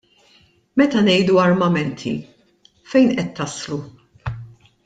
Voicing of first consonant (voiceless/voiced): voiced